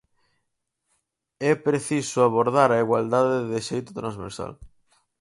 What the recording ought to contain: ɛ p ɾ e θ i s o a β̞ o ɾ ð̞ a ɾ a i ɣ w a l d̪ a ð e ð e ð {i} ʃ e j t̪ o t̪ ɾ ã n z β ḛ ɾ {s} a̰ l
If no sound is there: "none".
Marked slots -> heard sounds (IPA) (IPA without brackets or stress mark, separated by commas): e, s